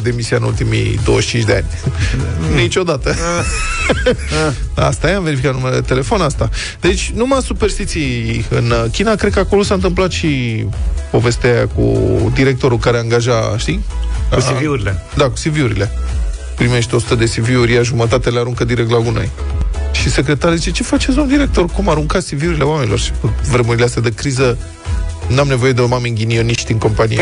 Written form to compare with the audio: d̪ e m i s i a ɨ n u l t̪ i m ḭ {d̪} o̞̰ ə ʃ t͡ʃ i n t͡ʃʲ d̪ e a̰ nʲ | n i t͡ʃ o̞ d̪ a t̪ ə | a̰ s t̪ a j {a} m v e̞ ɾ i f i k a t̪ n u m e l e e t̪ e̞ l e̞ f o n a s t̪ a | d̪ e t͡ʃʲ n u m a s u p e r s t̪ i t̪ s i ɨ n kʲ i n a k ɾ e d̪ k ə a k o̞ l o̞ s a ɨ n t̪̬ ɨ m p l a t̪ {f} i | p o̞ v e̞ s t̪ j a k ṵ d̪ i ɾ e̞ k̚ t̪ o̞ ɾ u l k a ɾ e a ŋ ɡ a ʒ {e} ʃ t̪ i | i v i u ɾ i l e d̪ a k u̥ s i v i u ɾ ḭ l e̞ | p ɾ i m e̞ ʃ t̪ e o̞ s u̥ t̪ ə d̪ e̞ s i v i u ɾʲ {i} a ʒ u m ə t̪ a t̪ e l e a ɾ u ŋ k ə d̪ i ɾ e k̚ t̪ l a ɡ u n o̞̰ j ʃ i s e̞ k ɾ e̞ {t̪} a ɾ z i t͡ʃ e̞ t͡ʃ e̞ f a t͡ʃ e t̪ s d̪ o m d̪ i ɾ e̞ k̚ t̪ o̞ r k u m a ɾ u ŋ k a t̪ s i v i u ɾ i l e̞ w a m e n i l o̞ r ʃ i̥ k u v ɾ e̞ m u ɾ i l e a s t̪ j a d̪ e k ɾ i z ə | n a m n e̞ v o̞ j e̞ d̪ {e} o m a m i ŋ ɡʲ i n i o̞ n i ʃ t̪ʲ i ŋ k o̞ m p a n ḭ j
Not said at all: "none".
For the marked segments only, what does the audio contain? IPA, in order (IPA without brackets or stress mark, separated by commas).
d̪, a, ʃ, a, j, t̪, e